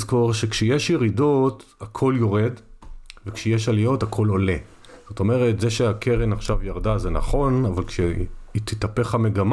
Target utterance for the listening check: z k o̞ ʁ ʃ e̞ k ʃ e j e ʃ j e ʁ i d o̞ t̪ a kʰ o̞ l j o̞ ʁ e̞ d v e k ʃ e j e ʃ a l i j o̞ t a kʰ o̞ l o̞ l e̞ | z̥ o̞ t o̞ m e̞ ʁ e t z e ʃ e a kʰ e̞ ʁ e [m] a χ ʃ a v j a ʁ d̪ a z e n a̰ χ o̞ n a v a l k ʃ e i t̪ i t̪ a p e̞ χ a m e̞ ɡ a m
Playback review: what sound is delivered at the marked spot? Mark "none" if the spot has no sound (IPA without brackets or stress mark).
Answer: n